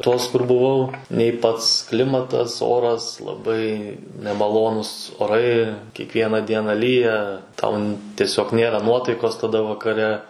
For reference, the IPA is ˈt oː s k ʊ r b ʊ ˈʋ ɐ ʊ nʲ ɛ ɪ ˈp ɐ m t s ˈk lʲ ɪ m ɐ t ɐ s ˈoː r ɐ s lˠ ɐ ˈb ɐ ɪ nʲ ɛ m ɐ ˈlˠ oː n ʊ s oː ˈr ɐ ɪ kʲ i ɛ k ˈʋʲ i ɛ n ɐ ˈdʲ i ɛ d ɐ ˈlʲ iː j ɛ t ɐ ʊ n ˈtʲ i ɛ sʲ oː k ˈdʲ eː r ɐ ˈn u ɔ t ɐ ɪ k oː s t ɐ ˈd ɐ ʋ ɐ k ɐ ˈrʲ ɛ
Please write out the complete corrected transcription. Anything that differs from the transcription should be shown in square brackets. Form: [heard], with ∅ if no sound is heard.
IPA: ˈt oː s k ʊ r b ʊ ˈʋ ɐ ʊ nʲ ɛ ɪ ˈp ɐ [∅] t s ˈk lʲ ɪ m ɐ t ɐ s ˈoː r ɐ s lˠ ɐ ˈb ɐ ɪ nʲ ɛ m ɐ ˈlˠ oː n ʊ s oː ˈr ɐ ɪ kʲ i ɛ k ˈʋʲ i ɛ n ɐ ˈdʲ i ɛ [n] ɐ ˈlʲ iː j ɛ t ɐ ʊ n ˈtʲ i ɛ sʲ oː k [ˈnʲ] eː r ɐ ˈn u ɔ t ɐ ɪ k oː s t ɐ ˈd ɐ ʋ ɐ k ɐ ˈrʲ ɛ